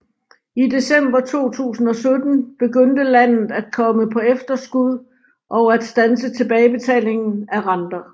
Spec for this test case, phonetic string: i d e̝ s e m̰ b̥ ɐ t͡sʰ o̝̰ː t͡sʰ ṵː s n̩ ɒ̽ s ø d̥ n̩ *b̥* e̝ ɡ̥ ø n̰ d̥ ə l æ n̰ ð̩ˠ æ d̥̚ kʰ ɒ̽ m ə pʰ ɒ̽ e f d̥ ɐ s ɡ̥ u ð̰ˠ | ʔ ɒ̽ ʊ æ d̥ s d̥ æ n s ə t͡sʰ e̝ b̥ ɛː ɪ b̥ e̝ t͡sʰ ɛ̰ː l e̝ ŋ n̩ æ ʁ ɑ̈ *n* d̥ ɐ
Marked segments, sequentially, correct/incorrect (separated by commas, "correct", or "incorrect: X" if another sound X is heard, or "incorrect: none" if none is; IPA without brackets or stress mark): correct, correct